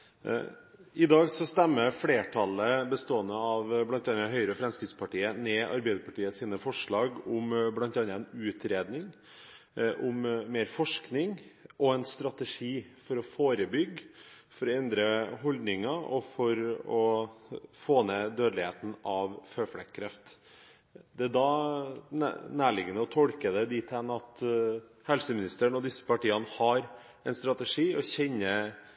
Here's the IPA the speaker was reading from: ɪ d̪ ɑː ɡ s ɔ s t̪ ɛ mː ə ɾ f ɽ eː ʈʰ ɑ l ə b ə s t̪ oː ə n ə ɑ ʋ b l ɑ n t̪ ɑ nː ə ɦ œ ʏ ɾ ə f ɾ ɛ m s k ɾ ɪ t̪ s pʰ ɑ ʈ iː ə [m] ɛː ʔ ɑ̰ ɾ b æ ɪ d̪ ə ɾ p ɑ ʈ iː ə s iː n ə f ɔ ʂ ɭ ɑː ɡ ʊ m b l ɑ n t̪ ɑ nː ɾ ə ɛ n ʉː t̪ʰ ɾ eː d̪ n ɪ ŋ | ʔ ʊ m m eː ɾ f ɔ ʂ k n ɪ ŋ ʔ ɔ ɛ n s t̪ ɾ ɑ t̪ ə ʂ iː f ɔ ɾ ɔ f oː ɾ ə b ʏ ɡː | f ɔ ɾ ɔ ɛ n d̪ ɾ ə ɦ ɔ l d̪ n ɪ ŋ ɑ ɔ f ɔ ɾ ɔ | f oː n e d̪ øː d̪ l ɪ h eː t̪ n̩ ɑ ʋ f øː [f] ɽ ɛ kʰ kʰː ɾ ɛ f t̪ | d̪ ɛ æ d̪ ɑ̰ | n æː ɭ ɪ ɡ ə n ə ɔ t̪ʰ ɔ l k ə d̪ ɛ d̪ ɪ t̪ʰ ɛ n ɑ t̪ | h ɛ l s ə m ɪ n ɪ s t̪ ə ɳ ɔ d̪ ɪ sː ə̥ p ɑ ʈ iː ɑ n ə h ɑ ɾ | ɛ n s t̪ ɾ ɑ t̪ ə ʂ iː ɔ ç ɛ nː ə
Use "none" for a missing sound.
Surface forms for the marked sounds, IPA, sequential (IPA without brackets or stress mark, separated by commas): n, f